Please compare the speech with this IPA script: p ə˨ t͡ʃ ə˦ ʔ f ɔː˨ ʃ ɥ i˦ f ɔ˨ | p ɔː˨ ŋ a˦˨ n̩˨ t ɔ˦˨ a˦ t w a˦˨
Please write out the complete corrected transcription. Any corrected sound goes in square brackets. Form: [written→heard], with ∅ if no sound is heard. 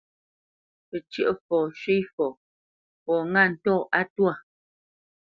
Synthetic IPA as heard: p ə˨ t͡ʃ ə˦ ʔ f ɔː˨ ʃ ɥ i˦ f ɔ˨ | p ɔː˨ ŋ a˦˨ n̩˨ t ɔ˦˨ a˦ t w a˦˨